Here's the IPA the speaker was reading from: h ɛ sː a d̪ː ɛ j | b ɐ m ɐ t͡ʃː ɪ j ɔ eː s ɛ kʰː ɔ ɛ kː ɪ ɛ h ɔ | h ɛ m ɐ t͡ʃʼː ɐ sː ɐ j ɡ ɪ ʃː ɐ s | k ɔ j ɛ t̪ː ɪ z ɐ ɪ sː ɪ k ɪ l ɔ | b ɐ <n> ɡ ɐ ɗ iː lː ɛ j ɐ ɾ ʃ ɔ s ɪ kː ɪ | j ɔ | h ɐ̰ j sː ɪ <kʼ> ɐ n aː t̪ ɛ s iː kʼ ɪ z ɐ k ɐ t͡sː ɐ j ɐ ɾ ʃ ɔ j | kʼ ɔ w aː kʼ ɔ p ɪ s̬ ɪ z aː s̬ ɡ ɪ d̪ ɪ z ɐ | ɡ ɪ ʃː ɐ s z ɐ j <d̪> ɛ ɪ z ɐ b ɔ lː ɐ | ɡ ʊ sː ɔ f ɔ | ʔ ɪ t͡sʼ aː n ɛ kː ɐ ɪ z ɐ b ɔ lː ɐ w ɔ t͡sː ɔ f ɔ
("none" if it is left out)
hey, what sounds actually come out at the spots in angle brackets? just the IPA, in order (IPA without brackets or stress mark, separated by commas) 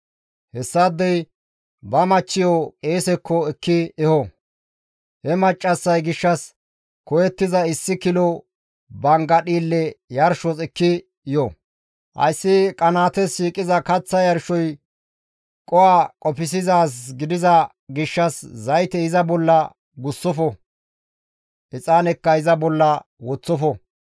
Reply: ŋ, kʼ, t̪